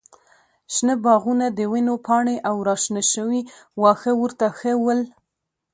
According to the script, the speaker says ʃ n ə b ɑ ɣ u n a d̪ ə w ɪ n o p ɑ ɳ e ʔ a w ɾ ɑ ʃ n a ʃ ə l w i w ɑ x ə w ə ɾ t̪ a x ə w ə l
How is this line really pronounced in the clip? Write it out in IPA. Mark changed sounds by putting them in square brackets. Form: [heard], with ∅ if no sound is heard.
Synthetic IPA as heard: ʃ n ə b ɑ ɣ u n a d̪ ə w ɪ n o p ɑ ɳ e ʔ a w ɾ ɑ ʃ n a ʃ ə [∅] w i w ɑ x ə w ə ɾ t̪ a x ə w ə l